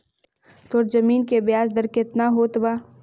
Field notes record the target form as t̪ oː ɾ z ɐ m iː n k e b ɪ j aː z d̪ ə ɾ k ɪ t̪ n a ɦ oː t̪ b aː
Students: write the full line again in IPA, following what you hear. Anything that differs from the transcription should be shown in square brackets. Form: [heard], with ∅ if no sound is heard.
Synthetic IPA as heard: t̪ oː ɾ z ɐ m iː n k e b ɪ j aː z d̪ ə ɾ k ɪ t̪ n a ɦ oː t̪ b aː